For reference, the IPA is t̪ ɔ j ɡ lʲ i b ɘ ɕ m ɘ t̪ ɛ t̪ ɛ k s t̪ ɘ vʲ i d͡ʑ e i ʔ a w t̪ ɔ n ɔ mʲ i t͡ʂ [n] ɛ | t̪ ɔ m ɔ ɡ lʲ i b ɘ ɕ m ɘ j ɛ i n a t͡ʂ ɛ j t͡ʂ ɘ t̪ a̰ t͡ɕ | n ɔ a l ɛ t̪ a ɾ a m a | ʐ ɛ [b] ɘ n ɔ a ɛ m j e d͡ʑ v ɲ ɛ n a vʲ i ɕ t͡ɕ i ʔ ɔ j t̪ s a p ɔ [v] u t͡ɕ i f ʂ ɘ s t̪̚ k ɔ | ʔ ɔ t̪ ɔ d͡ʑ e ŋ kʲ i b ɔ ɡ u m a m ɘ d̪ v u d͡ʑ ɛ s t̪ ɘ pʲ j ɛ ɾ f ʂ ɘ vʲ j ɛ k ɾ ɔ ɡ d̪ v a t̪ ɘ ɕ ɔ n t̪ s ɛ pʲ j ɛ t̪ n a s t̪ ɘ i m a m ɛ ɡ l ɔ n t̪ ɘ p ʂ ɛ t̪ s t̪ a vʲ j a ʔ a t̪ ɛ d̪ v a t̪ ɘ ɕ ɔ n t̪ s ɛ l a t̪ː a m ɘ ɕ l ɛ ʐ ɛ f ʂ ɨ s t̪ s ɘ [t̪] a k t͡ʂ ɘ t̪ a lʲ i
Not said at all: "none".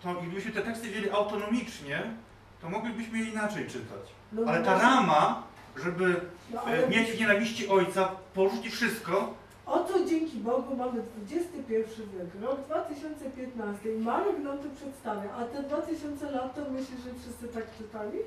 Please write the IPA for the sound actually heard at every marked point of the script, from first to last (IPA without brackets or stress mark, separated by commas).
ɲ, b, ʐ, t̪